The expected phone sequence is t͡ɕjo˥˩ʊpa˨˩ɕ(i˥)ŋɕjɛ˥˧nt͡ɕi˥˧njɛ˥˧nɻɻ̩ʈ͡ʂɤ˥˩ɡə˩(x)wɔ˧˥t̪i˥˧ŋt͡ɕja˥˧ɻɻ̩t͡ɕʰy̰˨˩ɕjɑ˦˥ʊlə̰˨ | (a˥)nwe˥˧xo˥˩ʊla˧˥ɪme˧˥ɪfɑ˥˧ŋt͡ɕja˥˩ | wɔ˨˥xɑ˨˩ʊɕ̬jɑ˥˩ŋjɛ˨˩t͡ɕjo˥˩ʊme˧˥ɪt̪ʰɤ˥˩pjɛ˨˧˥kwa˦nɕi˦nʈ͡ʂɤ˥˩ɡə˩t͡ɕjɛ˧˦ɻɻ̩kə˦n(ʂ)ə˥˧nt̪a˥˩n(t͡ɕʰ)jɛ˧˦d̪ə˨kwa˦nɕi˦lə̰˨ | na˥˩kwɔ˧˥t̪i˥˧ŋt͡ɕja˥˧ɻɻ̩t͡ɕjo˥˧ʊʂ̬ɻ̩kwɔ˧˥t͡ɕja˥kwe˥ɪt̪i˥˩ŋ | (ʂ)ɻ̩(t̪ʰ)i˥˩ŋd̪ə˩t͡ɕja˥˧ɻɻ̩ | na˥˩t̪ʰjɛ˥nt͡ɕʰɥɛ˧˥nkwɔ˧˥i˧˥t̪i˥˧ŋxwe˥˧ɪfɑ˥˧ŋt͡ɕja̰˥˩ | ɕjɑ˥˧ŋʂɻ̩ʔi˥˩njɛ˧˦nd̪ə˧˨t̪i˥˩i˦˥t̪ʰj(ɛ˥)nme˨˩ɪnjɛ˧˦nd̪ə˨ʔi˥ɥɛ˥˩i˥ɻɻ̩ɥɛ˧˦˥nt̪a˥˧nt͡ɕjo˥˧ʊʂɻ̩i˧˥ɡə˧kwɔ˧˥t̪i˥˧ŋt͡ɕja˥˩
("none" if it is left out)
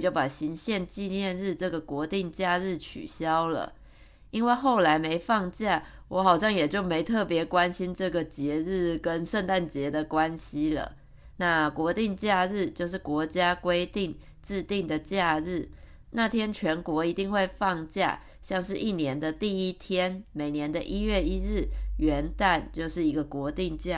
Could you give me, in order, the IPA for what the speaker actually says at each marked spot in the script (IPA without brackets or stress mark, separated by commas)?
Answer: i˧˥, k, i˥, ʂ, t͡ɕ, ʈ͡ʂ, t̪, ɛ˥